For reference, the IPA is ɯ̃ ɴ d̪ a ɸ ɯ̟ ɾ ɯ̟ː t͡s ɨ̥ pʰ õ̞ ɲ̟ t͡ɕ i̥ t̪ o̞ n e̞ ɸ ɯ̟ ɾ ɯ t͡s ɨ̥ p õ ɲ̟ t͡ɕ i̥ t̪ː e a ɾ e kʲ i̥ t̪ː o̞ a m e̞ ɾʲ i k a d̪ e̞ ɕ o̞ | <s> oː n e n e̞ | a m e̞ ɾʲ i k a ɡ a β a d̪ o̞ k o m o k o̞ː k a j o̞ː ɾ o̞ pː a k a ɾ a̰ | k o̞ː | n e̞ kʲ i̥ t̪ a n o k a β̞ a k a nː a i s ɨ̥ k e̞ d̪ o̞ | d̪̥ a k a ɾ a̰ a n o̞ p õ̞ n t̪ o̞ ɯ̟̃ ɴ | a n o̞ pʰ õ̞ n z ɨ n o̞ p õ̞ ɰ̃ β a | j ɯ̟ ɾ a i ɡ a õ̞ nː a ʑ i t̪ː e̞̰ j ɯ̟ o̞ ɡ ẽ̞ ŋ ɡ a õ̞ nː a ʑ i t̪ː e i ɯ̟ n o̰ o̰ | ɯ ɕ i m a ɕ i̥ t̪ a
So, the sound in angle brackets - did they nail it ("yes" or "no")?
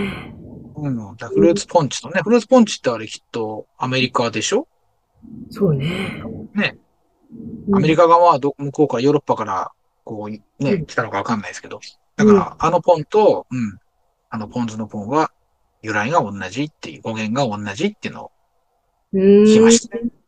yes